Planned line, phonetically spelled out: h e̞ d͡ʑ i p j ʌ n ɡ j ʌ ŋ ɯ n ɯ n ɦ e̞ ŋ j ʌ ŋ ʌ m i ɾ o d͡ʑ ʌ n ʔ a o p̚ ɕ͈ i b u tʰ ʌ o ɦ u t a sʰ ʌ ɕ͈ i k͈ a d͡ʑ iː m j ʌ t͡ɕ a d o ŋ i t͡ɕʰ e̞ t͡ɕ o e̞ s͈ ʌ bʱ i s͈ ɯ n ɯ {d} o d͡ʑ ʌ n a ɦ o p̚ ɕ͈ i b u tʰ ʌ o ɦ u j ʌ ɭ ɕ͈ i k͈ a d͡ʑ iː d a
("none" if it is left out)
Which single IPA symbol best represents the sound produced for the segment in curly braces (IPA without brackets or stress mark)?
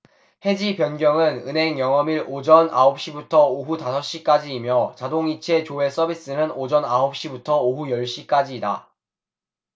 n